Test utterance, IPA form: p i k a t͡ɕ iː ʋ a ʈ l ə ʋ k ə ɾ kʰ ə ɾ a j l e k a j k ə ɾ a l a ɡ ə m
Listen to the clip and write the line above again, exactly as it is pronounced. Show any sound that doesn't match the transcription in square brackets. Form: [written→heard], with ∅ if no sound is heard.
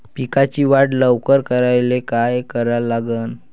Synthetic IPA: p i k a t͡ɕ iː ʋ a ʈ l ə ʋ k ə ɾ [kʰ→k] ə ɾ a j l e k a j k ə ɾ a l a ɡ ə [m→n]